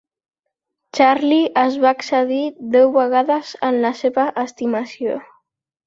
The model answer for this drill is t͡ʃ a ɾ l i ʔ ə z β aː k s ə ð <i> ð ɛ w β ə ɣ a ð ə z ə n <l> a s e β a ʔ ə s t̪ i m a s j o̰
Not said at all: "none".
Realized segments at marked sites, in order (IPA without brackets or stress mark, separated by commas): i, l